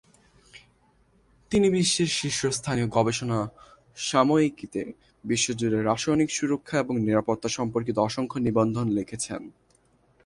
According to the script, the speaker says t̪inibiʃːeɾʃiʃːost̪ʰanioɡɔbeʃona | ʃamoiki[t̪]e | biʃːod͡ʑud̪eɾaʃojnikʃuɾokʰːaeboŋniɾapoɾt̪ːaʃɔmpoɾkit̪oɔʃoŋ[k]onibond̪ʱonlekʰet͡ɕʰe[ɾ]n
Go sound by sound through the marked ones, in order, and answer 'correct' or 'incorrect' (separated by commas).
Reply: correct, incorrect, incorrect